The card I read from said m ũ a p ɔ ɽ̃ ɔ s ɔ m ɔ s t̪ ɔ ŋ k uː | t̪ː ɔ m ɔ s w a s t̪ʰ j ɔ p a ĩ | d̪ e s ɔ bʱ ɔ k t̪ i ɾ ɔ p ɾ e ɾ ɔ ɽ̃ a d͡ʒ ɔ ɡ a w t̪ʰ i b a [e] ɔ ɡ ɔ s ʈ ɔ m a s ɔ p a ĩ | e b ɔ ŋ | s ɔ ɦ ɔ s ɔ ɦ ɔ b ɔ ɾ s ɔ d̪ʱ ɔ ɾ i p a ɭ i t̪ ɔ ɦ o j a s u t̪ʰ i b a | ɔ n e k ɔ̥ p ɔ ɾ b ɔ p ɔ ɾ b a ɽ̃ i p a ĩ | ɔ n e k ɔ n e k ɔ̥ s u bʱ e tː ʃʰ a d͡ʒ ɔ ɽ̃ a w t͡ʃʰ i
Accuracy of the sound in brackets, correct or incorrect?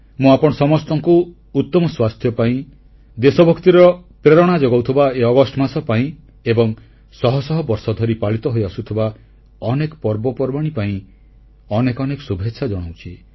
correct